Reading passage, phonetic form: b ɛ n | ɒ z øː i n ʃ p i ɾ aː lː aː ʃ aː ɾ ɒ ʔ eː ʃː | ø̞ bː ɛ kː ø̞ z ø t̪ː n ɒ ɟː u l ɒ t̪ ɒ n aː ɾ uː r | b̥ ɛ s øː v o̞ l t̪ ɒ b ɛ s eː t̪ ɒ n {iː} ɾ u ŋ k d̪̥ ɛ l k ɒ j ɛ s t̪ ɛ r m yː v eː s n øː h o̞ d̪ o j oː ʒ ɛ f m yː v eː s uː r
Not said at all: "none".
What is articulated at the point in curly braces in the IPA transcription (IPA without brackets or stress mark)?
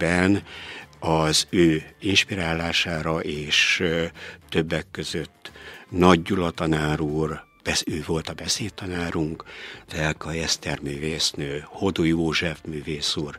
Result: aː